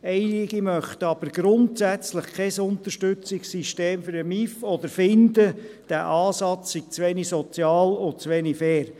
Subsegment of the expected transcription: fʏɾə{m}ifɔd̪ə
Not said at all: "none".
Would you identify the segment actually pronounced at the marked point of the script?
m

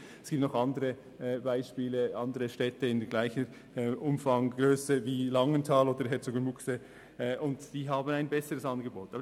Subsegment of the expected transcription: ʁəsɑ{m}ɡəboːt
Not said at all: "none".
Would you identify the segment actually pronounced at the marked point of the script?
n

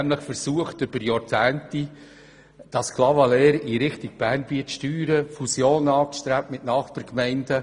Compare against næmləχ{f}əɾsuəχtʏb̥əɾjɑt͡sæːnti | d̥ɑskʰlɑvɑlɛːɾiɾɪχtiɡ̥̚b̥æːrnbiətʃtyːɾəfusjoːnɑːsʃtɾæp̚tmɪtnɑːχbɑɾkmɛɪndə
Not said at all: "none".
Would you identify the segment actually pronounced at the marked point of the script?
f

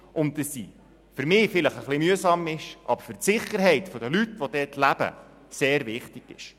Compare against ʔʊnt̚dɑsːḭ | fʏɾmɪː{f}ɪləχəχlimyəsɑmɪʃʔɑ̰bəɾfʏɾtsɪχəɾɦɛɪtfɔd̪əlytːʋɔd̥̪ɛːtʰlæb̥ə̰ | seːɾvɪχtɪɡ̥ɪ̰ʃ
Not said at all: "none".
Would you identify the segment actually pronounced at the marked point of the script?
f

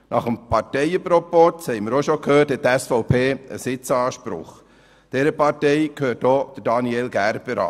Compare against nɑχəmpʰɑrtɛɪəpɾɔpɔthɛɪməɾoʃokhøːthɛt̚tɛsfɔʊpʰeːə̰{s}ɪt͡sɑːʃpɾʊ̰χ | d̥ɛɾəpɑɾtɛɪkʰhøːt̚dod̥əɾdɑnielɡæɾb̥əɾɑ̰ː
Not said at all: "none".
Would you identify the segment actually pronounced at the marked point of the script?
s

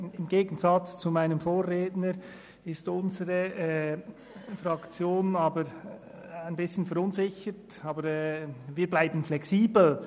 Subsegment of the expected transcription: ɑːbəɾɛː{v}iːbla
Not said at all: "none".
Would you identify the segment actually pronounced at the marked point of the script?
v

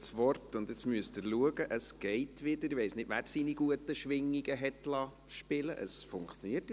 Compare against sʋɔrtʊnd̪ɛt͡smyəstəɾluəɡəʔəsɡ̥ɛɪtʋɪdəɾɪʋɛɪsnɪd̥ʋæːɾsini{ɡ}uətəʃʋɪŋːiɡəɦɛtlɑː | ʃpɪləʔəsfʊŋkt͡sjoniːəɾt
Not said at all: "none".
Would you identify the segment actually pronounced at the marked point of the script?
ɡ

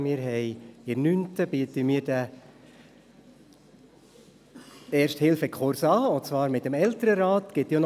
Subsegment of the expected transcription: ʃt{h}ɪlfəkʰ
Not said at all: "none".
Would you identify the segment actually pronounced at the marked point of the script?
h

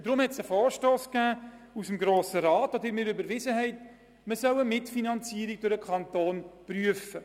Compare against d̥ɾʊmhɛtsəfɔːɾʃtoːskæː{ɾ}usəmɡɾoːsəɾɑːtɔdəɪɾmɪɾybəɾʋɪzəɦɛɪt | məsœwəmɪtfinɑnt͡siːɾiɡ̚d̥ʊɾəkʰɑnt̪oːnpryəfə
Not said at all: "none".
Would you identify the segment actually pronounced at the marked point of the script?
none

